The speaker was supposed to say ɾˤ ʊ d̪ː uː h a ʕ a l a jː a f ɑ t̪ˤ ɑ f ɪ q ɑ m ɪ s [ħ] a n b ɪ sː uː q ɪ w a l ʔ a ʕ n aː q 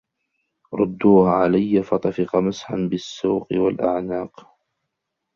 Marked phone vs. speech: correct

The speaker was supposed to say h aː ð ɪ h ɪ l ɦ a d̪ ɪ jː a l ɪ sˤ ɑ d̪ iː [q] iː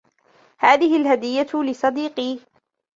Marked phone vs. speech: correct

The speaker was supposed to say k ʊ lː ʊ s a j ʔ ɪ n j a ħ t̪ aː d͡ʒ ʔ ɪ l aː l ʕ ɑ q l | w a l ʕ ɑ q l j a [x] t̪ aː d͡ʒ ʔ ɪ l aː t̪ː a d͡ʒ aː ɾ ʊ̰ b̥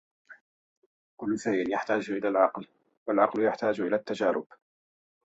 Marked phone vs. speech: incorrect: ħ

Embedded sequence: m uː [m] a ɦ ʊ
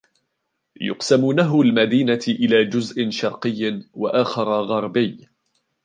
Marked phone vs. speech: incorrect: n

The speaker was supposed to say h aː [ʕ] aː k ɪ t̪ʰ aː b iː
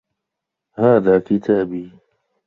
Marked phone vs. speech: incorrect: ð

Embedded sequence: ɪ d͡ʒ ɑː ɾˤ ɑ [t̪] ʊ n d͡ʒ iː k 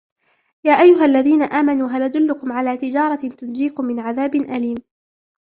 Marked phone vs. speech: correct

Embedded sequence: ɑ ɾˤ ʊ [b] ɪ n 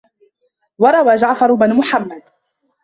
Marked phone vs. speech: correct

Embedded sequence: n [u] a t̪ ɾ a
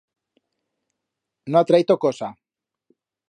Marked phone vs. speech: incorrect: o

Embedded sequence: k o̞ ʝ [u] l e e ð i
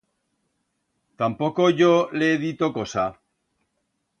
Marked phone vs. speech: incorrect: o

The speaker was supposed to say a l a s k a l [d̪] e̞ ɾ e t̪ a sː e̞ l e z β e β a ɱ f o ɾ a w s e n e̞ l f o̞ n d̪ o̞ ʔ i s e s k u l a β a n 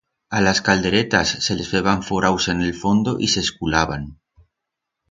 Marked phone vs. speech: correct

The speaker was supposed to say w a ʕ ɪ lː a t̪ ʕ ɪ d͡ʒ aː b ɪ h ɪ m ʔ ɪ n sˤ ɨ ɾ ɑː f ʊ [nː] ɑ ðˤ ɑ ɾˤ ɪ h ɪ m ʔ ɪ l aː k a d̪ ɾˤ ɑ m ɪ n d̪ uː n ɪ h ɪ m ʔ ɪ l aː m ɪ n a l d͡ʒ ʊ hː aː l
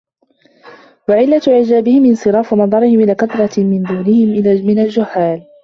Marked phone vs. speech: incorrect: n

